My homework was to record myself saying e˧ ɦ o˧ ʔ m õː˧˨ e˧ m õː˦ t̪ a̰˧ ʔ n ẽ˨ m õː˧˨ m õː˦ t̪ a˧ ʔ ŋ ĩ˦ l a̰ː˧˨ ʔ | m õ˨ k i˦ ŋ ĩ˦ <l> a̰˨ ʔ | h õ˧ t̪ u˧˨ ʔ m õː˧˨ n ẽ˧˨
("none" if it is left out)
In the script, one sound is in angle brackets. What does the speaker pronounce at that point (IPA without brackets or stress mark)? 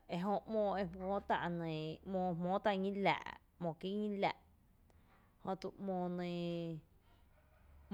l